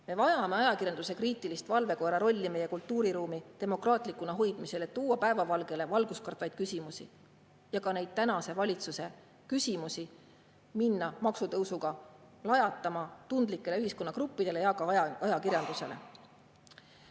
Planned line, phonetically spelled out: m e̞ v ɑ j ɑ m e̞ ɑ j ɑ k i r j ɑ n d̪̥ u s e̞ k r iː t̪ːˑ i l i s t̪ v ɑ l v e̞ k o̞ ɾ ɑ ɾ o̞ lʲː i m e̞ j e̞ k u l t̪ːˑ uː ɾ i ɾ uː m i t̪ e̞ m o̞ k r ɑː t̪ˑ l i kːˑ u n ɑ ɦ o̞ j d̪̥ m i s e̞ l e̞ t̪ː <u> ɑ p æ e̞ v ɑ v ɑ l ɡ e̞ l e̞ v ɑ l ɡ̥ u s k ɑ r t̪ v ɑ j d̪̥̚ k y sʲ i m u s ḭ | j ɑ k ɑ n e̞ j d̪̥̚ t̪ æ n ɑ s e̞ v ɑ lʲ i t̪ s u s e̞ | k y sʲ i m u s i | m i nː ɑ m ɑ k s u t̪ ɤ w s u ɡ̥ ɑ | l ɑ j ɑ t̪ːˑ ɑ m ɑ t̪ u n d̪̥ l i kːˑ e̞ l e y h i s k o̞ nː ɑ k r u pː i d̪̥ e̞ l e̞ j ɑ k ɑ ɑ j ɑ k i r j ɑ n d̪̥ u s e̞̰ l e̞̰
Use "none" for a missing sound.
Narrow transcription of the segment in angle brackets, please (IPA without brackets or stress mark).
uː